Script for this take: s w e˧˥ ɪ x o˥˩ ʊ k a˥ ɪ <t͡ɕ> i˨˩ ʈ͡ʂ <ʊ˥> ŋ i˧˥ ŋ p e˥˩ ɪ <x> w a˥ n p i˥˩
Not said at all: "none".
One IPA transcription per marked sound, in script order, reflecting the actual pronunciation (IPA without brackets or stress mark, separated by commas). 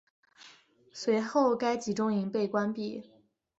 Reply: t͡ɕ, ʊ˥, k